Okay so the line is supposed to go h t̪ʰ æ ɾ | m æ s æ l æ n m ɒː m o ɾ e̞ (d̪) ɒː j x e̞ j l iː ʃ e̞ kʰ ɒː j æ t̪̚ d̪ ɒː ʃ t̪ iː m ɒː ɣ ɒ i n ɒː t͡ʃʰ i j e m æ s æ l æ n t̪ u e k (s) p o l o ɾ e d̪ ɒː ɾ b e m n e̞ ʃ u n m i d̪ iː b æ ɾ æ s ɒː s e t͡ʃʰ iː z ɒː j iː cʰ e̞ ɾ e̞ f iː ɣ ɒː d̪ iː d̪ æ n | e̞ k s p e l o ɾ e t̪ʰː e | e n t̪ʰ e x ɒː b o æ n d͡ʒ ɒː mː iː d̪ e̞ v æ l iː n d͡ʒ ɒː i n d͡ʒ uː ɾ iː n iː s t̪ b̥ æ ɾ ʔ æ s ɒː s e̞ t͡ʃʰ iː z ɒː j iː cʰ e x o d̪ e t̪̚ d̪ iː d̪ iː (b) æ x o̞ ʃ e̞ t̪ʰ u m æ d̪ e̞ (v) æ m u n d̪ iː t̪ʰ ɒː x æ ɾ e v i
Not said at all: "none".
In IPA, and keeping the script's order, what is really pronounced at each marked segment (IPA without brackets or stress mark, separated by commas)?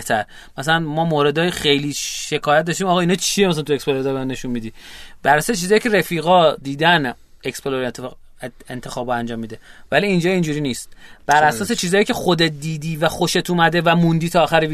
d̪, s, v, v